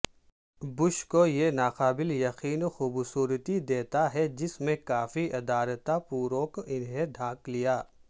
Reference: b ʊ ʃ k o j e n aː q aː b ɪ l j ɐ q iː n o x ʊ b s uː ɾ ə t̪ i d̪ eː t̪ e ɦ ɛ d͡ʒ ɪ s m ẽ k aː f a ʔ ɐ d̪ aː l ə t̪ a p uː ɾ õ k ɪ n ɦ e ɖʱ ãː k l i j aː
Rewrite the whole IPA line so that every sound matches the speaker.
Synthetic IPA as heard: b ʊ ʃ k o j e n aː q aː b ɪ l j ɐ q iː n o x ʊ b s uː ɾ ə t̪ i d̪ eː t̪ a ɦ ɛ d͡ʒ ɪ s m ẽ k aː f i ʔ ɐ d̪ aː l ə t̪ a p uː ɾ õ k ɪ n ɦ e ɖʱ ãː k l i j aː